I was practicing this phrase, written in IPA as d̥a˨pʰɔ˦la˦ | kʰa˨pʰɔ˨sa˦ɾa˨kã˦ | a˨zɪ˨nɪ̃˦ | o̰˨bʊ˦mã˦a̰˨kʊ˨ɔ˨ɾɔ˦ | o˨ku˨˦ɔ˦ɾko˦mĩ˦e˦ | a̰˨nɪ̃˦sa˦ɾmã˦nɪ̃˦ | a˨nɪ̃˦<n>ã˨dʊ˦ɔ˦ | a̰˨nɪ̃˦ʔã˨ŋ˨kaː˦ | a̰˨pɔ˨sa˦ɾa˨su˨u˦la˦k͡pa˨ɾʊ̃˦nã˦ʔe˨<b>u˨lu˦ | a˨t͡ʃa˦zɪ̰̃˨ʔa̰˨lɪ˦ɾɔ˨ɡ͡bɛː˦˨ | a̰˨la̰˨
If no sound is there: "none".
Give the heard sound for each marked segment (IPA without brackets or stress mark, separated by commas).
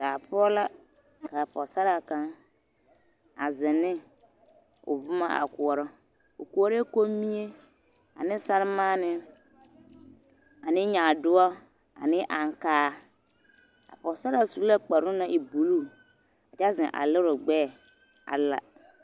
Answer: ɲ, b